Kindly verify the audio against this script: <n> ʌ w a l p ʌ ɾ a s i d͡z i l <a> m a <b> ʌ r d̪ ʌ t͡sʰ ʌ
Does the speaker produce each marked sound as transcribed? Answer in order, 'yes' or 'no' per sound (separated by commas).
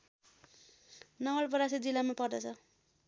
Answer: yes, yes, no